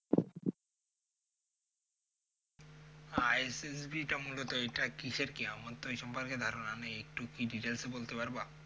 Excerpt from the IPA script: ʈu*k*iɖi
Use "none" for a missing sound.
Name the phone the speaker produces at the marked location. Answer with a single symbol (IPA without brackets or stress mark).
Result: k